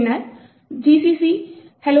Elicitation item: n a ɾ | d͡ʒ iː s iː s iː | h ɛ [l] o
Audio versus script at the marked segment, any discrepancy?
no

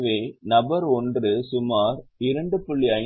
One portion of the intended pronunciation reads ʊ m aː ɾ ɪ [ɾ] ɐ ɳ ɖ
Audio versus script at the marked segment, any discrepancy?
no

